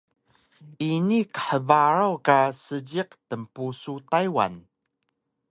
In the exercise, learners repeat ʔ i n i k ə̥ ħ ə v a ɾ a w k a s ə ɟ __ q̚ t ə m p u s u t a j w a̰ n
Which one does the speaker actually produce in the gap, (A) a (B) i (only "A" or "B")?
B